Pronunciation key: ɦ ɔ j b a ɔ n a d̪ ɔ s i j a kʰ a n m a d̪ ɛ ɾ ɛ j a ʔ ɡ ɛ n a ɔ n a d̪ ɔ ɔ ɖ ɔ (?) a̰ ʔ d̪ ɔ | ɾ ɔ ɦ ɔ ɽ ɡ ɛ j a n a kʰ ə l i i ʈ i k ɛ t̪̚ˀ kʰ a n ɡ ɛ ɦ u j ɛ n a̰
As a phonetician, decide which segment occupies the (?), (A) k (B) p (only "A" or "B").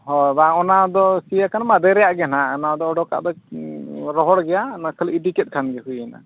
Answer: A